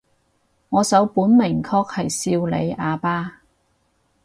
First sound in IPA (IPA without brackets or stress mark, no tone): ŋ